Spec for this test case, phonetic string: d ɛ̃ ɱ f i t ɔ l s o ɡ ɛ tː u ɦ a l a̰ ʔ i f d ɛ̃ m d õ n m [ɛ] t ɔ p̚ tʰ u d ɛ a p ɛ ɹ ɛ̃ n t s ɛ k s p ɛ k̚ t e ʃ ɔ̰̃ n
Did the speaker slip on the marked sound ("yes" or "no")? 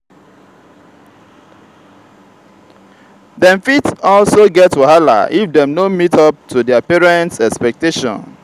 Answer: yes